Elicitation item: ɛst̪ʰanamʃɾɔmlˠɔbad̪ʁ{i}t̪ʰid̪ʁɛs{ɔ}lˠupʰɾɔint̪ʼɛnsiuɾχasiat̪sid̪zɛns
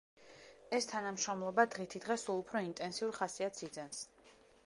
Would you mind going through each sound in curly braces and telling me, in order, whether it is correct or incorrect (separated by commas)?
correct, incorrect